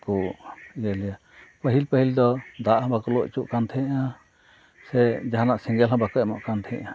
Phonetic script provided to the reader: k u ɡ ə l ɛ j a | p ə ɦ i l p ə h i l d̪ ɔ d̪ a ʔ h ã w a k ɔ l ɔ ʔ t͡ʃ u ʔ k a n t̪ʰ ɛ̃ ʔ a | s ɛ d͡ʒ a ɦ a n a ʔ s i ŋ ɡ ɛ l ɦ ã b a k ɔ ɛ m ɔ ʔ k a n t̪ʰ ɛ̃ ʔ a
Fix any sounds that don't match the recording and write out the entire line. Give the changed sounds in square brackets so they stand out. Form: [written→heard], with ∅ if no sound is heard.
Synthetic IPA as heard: k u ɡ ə l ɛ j a | p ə ɦ i l p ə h i l d̪ ɔ d̪ a ʔ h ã [w→b] a k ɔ l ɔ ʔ t͡ʃ u ʔ k a n t̪ʰ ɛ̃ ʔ a | s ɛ d͡ʒ a ɦ a n a ʔ s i ŋ ɡ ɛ l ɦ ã b a k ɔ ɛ m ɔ ʔ k a n t̪ʰ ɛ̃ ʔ a